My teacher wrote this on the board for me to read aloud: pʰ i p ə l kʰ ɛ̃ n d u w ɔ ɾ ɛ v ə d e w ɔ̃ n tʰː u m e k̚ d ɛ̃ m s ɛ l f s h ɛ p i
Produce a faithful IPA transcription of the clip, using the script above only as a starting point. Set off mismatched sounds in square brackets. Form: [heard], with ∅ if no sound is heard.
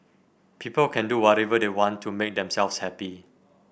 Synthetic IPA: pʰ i p ə l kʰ ɛ̃ n d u w ɔ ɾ ɛ v ə d e w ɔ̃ n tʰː u m e k̚ d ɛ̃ m s ɛ l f s h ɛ p i

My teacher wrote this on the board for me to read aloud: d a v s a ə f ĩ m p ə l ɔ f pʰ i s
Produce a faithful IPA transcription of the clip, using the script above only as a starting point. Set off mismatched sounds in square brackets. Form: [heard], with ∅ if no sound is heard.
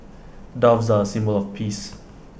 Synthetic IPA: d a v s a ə [s] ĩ m [b] ə l ɔ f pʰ i s

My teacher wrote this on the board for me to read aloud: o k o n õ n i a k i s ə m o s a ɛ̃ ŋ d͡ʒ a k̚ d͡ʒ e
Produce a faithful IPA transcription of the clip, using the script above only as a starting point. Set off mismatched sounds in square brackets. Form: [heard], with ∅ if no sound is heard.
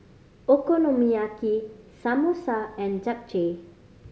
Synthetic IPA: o k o n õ [m] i a k i s [a] m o s a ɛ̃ [n] d͡ʒ a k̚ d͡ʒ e

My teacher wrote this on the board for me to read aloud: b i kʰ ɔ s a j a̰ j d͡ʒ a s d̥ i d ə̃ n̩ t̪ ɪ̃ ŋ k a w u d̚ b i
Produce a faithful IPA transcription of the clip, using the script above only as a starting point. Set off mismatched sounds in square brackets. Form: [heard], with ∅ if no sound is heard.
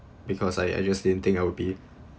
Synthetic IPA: b i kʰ ɔ s a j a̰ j d͡ʒ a s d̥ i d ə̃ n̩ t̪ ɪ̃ ŋ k a w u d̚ b i

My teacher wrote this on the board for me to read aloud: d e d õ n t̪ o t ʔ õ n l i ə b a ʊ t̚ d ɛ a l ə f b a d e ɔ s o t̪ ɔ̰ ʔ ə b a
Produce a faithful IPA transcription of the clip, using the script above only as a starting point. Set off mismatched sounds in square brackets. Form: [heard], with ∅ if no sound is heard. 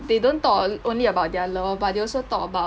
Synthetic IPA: d e d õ n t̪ [ɔ] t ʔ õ n l i ə b a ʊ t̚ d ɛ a l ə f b a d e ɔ s o t̪ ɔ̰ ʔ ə b a

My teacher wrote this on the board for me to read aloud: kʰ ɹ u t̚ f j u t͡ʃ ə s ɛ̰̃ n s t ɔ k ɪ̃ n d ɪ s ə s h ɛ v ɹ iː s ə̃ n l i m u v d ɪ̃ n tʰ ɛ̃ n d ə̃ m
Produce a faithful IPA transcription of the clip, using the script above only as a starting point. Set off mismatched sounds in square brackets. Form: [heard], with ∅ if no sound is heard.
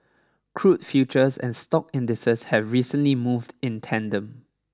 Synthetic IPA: kʰ ɹ u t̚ f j u t͡ʃ ə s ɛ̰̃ n s t ɔ k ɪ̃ n d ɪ s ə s h ɛ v ɹ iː s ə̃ n l i m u v d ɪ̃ n tʰ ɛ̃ n d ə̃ m

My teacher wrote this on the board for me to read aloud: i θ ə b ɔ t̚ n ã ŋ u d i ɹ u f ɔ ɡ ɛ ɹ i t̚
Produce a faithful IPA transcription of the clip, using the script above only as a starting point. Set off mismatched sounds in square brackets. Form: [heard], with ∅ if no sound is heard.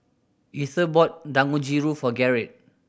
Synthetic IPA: i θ ə b ɔ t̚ [d] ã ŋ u [d͡ʒ] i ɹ u f ɔ ɡ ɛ ɹ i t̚

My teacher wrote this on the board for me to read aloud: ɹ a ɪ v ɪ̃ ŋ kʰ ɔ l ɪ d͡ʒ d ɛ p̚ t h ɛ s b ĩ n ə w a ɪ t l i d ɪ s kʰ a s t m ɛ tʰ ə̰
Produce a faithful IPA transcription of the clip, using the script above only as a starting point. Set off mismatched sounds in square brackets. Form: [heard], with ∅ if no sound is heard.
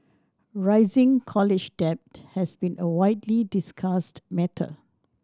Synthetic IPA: ɹ a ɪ [z] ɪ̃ ŋ kʰ ɔ l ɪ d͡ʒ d ɛ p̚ t h ɛ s b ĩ n ə w a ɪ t l i d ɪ s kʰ a s t m ɛ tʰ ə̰

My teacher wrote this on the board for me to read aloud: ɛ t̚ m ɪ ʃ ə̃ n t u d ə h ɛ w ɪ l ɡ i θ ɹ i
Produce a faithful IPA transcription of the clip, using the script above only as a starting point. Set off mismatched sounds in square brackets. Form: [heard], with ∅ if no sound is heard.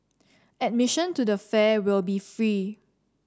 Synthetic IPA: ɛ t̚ m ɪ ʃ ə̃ n t u d ə [f] ɛ w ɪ l [b] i [f] ɹ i

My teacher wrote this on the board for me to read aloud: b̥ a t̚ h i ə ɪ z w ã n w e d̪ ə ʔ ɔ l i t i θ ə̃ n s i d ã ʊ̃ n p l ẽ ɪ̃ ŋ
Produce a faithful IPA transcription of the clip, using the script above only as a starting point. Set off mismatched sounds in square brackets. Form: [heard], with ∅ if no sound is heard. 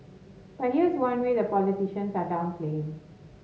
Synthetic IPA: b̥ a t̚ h i ə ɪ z w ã n w e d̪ ə [p] ɔ l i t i [ʃ] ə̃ n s [a] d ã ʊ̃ n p l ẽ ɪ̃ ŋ

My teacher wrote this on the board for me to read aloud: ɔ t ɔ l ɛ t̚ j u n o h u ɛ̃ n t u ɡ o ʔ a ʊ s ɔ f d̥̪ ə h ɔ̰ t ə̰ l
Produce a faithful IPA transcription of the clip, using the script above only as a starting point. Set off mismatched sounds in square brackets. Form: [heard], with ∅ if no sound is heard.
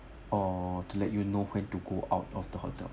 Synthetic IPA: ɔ t [u] l ɛ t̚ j u n o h [w] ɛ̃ n t u ɡ o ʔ a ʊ [t] ɔ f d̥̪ ə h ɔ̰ t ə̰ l

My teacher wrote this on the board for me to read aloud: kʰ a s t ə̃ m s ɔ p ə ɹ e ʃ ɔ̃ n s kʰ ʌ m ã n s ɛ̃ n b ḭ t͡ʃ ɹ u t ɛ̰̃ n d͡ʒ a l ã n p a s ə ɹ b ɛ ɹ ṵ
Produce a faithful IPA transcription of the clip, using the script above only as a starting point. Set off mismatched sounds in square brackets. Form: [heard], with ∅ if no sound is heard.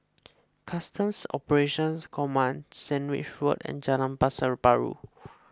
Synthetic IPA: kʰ a s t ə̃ m s ɔ p ə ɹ e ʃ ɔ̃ n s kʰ [ɔ] m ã n s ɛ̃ n [w] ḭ t͡ʃ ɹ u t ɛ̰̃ n d͡ʒ a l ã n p a s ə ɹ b [a] ɹ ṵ

